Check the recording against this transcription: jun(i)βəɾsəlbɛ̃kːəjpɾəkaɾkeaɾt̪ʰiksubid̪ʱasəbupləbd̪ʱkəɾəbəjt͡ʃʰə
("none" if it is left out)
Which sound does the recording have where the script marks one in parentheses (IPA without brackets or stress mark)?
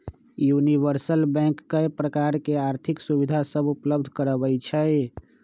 i